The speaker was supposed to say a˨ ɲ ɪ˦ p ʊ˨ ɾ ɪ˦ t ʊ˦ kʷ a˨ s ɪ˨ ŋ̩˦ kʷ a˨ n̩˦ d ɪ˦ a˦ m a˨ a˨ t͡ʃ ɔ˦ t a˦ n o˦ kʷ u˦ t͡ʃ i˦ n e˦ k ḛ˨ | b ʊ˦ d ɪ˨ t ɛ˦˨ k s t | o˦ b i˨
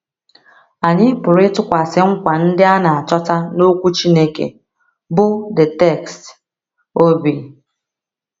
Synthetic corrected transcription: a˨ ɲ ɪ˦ p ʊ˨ ɾ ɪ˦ t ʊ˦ kʷ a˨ s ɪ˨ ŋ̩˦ kʷ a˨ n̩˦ d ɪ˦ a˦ n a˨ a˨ t͡ʃ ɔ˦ t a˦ n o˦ kʷ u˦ t͡ʃ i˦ n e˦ k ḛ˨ | b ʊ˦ d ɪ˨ t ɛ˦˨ k s t | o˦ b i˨